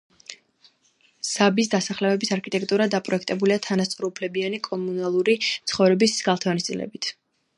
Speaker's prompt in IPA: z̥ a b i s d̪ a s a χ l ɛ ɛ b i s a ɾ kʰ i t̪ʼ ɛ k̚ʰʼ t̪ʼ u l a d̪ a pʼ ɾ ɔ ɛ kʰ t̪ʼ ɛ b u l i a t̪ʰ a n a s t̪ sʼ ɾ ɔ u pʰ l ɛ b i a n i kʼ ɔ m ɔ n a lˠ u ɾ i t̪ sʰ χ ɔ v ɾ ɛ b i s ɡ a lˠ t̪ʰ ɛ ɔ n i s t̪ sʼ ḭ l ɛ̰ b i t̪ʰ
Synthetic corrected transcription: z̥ a b i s d̪ a s a χ l ɛ ɛ b i s a ɾ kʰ i t̪ʼ ɛ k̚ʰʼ t̪ʼ u ɾ a d̪ a pʼ ɾ ɔ ɛ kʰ t̪ʼ ɛ b u l i a t̪ʰ a n a s t̪ sʼ ɾ ɔ u pʰ l ɛ b i a n i kʼ ɔ m u n a lˠ u ɾ i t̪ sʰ χ ɔ v ɾ ɛ b i s ɡ a lˠ t̪ʰ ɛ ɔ n i s t̪ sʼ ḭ l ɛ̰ b i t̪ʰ